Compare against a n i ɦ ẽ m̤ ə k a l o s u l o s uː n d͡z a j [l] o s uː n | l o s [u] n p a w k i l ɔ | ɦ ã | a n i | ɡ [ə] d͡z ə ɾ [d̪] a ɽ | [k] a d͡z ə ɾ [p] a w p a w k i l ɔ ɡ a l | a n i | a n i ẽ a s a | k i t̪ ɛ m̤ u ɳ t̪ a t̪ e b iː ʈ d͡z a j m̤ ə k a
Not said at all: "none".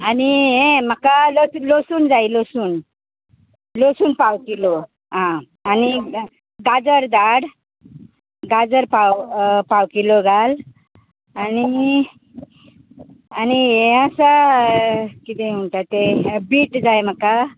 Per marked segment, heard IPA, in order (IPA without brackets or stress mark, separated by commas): l, uː, a, d̪, ɡ, p